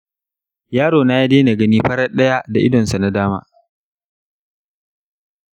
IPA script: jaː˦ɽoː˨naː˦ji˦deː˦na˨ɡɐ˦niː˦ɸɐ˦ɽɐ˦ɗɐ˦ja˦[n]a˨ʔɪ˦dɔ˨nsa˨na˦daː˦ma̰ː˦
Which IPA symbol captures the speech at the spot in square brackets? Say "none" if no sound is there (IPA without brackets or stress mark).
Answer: d